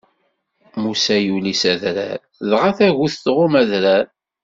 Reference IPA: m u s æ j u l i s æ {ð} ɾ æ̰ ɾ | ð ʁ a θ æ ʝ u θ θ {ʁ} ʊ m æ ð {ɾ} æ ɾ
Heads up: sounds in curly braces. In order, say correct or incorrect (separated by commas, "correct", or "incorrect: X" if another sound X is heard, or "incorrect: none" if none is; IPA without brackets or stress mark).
correct, correct, correct